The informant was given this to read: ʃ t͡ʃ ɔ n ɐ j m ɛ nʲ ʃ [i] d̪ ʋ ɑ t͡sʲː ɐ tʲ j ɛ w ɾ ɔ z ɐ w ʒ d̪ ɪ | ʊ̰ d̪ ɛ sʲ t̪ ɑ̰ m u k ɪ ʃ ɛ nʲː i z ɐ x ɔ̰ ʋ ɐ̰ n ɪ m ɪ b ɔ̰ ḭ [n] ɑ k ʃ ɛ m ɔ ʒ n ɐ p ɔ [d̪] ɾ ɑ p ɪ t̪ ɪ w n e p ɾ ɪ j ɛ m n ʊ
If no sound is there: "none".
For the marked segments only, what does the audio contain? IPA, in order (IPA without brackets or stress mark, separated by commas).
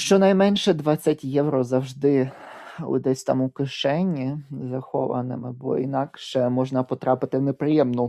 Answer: ɛ, n, t̪